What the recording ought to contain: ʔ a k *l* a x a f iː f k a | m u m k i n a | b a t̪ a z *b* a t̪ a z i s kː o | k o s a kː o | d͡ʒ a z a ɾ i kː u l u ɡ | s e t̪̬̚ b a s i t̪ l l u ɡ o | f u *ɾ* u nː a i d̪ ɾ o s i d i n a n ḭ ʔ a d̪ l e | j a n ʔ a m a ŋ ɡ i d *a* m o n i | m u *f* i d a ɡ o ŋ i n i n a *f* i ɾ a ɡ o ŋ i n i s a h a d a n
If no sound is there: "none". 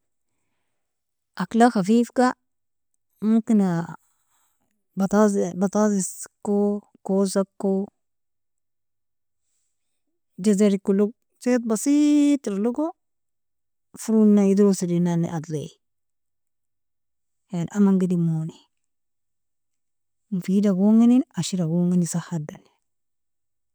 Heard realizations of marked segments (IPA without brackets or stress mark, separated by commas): l, b, ɾ, i, f, ʃ